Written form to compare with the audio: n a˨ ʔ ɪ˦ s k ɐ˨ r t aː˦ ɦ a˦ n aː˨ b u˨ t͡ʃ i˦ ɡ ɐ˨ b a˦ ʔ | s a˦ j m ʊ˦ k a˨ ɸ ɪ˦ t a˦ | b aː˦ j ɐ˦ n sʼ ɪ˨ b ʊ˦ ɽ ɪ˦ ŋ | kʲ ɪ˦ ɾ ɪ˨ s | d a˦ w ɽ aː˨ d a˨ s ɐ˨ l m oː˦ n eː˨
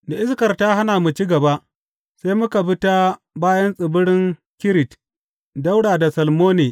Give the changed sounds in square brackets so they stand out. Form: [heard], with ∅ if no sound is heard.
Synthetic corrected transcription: [d] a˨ ʔ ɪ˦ s k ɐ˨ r t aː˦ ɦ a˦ n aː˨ [m] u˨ t͡ʃ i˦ ɡ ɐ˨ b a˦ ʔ | s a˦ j m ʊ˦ k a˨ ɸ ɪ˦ t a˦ | b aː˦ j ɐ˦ n sʼ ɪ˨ b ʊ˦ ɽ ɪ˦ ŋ | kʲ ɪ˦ ɾ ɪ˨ [t] | d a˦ w ɽ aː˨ d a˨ s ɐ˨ l m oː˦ n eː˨

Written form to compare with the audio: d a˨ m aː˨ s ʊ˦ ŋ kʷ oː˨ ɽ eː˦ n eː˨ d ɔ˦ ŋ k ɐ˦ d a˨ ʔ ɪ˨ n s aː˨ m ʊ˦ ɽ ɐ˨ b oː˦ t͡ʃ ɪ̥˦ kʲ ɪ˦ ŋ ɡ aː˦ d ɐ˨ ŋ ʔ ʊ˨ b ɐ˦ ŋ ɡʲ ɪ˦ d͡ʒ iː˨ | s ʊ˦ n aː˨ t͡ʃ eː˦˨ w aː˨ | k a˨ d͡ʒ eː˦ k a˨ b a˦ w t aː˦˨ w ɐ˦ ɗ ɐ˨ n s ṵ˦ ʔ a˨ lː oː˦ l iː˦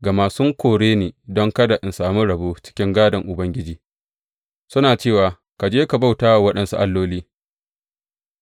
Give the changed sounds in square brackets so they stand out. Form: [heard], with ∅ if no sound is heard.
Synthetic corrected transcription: [ɡ] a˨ m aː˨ s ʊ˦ ŋ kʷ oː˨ ɽ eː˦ n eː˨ d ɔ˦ ŋ k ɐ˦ d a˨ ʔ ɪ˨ n s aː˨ m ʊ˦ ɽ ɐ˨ b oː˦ t͡ʃ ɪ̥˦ kʲ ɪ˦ ŋ ɡ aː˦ d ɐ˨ ŋ ʔ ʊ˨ b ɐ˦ ŋ ɡʲ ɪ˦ d͡ʒ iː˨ | s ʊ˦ n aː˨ t͡ʃ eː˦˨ w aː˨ | k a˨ d͡ʒ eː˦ k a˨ b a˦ w t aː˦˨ w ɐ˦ ɗ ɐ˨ n s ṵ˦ ʔ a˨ lː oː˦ l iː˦

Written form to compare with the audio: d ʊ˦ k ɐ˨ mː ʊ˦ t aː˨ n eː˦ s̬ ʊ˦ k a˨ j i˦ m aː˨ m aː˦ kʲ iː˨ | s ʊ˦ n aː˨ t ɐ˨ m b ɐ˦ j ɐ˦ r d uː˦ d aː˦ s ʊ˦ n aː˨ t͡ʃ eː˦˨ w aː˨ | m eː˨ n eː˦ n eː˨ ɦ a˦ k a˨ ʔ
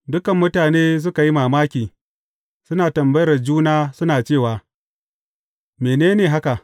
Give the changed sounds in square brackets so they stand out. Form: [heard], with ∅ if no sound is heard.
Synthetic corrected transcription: d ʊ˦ k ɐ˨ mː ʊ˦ t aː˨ n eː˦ s̬ ʊ˦ k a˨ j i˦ m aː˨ m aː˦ kʲ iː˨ | s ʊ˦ n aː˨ t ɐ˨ m b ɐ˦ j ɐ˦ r [d͡ʒ] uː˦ [n] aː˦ s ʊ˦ n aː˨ t͡ʃ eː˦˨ w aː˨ | m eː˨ n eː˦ n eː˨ ɦ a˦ k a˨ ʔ

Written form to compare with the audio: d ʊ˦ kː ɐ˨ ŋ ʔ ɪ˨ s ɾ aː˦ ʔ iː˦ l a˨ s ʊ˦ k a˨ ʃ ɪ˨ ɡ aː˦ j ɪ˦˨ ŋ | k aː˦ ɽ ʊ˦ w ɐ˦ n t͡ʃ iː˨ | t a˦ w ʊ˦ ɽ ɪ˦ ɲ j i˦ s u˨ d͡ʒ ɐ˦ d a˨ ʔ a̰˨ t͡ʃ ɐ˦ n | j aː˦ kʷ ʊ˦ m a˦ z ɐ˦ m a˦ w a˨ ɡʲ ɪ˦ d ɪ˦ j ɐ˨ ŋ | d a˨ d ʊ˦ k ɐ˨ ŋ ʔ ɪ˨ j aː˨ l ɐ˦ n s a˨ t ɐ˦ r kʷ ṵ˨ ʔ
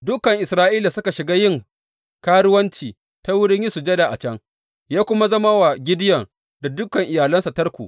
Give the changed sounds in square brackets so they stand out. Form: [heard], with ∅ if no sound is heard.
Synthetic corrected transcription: d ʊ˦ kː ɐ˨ ŋ ʔ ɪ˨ s ɾ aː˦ ʔ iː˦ l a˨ s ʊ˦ k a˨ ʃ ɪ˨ ɡ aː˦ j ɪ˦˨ ŋ | k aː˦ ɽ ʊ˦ w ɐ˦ n t͡ʃ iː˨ | t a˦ w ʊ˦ ɽ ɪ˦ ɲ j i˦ s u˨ d͡ʒ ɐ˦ d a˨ ʔ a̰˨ t͡ʃ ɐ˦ [ŋ] | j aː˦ kʷ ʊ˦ m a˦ z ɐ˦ m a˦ w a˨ ɡʲ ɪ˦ d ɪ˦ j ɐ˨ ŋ | d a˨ d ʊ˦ k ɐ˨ ŋ ʔ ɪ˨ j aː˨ l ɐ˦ n s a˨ t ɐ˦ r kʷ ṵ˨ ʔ

